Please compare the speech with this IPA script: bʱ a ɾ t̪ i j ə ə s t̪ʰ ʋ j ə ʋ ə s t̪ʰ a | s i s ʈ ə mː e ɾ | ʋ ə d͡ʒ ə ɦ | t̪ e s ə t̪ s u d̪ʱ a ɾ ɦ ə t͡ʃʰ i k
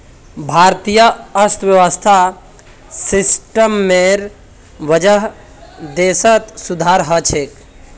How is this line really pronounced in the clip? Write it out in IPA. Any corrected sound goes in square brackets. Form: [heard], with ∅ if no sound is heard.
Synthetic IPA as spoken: bʱ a ɾ t̪ i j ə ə s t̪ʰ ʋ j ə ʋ ə s t̪ʰ a | s i s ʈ ə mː e ɾ | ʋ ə d͡ʒ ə ɦ | [d̪] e s ə t̪ s u d̪ʱ a ɾ ɦ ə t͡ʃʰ [e] k